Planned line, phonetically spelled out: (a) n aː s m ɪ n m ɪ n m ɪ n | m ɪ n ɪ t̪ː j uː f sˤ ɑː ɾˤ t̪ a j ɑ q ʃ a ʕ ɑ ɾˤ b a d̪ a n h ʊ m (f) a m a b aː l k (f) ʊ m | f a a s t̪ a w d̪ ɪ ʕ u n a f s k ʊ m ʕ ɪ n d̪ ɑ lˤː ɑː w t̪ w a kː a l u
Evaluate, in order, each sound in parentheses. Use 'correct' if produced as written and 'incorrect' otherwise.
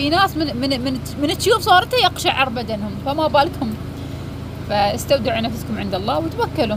incorrect: i, correct, incorrect: h

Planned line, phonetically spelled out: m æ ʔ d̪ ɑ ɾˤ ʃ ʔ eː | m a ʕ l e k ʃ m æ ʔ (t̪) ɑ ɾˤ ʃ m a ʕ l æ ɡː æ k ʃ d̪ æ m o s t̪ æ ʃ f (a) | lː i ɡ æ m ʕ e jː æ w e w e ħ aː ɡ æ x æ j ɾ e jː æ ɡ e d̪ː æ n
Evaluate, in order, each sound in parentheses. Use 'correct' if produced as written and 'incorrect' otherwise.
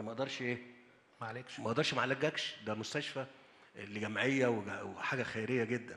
incorrect: d̪, incorrect: æ

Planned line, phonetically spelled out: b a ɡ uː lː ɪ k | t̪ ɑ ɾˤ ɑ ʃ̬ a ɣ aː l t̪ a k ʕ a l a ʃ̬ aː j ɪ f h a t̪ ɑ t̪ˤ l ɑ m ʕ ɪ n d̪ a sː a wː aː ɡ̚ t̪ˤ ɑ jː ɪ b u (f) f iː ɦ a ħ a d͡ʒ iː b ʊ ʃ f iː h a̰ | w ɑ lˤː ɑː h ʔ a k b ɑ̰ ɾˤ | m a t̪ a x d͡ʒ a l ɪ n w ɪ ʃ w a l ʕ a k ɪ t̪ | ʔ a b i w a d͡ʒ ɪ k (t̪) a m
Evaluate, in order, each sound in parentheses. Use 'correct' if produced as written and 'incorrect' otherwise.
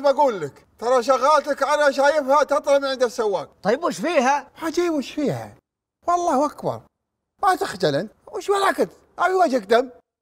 incorrect: ʃ, incorrect: d̪

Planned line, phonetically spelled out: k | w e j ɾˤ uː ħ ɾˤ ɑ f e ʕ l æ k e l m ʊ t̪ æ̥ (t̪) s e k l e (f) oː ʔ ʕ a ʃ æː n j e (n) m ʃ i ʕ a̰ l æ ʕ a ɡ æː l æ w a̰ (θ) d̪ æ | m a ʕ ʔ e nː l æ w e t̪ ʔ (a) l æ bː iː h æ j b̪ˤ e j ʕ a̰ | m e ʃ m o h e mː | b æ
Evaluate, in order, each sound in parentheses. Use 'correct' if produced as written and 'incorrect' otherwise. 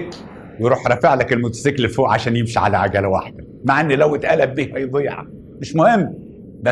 incorrect: none, correct, incorrect: none, incorrect: ħ, incorrect: æ

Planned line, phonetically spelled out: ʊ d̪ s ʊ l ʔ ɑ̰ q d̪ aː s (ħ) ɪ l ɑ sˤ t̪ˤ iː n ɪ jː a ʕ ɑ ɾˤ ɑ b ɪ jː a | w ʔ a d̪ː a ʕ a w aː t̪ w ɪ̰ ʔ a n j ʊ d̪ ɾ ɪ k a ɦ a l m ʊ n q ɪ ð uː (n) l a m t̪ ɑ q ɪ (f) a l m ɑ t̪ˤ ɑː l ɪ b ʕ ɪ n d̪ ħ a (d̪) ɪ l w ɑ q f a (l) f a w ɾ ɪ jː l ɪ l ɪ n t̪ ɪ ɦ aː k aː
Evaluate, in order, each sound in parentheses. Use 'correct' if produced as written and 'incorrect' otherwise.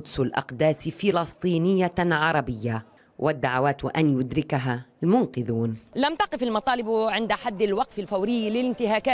incorrect: f, correct, correct, incorrect: d̪ː, correct

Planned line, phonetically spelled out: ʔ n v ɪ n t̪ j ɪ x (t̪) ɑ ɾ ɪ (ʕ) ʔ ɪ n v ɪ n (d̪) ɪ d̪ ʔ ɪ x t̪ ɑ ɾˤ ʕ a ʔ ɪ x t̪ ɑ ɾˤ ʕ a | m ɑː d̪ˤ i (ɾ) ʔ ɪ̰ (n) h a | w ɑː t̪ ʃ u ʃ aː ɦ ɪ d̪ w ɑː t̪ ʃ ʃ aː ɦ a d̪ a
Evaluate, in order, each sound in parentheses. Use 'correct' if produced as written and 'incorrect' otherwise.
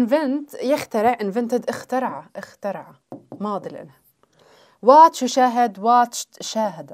correct, correct, incorrect: t̪, incorrect: l, correct

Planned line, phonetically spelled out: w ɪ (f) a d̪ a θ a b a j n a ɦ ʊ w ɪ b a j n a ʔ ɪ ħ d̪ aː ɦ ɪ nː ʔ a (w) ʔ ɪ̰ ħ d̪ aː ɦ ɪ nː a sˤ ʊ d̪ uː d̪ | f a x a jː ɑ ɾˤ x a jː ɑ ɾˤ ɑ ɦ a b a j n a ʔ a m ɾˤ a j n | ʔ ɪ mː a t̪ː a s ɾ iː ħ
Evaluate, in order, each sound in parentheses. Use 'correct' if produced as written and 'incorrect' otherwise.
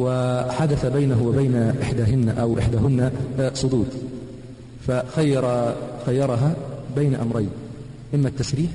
incorrect: ħ, correct

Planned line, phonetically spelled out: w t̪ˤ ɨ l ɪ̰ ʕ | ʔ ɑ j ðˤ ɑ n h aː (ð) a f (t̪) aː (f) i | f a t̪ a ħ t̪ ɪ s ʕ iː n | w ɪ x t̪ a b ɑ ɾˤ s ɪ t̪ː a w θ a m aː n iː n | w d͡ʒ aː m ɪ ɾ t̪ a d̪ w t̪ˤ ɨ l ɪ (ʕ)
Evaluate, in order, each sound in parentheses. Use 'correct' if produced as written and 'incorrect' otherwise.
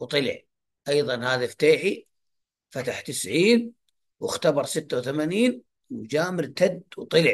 correct, correct, incorrect: ħ, correct

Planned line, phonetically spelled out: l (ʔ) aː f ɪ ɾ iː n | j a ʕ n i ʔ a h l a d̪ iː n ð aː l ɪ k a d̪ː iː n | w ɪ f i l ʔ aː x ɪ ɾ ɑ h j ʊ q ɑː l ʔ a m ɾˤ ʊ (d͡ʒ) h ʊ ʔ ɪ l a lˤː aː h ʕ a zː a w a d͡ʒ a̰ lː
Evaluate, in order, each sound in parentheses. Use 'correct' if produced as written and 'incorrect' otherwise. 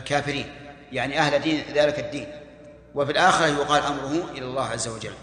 incorrect: k, incorrect: none

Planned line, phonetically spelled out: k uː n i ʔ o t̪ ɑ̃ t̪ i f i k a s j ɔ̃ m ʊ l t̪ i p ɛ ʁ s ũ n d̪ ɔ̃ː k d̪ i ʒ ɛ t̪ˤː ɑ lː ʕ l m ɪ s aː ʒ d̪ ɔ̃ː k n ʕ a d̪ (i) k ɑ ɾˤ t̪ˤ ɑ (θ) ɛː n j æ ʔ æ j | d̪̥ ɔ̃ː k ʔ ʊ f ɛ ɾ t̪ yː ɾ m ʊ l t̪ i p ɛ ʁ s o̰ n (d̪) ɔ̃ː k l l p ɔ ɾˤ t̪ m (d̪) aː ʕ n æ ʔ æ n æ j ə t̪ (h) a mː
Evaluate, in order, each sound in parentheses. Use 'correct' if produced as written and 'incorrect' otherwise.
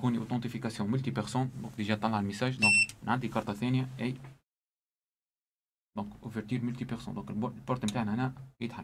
correct, correct, correct, incorrect: t̪, incorrect: ħ

